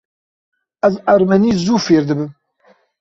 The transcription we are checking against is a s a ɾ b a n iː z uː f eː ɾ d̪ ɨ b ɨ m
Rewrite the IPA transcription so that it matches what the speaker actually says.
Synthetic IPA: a z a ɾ m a n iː z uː f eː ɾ d̪ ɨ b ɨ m